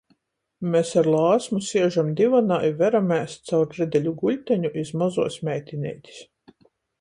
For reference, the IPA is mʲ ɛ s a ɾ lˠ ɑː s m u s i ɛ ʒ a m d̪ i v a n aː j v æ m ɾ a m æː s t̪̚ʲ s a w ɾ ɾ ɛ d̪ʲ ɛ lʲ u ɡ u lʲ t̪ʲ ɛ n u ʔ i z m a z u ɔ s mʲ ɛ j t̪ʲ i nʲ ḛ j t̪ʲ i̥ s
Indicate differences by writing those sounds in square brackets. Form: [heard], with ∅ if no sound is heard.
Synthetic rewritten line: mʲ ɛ s a ɾ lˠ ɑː s m u s i ɛ ʒ a m d̪ i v a n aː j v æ [∅] ɾ a m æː s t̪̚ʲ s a w ɾ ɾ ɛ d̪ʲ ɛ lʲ u ɡ u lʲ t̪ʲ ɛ [ɲ] u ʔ i z m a z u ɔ s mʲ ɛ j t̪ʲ i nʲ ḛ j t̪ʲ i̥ s